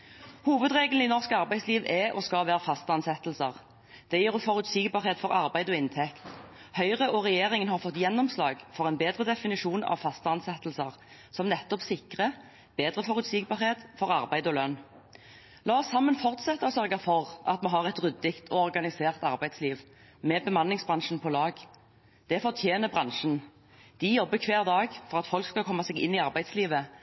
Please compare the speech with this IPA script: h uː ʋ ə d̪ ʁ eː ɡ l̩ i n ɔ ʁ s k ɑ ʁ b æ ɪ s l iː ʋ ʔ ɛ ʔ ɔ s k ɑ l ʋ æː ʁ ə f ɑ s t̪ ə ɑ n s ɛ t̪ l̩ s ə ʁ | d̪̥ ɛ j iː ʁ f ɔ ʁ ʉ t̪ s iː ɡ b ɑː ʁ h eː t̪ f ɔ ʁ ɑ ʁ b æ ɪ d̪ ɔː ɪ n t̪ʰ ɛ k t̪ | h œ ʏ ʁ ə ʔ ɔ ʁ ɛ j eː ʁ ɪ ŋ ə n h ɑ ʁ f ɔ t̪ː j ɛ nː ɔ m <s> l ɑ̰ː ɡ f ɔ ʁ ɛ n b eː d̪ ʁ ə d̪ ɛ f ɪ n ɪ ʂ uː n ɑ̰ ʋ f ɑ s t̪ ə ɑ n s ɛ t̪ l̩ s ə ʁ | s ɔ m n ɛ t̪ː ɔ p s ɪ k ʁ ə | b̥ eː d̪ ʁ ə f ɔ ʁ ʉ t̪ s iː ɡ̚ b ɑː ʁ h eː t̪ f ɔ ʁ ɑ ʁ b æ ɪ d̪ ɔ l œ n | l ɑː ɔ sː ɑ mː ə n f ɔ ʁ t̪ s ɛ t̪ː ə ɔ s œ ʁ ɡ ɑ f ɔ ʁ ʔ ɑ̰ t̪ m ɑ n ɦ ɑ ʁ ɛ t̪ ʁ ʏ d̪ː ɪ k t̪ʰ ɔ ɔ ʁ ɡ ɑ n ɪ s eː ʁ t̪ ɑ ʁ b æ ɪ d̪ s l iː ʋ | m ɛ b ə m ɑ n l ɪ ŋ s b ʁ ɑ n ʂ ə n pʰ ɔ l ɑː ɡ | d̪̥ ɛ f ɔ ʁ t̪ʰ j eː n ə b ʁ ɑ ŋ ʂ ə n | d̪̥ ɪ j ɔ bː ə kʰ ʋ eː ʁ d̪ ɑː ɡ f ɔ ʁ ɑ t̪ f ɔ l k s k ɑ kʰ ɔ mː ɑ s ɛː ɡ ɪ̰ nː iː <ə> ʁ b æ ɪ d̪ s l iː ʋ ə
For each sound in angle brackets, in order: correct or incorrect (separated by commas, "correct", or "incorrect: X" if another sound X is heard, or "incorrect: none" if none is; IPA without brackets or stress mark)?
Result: correct, incorrect: ɑ